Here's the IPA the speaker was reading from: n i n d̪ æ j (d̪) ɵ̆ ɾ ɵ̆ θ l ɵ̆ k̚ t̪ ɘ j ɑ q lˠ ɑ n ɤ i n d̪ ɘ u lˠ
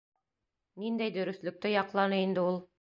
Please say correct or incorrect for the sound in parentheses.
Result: correct